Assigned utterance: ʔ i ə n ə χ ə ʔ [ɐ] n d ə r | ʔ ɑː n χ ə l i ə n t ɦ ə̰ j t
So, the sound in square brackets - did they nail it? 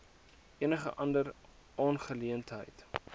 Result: yes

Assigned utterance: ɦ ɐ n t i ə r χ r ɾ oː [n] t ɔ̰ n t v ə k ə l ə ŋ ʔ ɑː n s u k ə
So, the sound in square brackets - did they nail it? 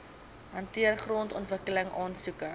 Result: yes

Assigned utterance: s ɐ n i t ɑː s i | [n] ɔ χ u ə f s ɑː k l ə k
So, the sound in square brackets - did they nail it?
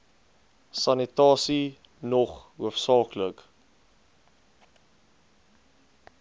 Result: yes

